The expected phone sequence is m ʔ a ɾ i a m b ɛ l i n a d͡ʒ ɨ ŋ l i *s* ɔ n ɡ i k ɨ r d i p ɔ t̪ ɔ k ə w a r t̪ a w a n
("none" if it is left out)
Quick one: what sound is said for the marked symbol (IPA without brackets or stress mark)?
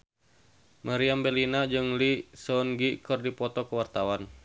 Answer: s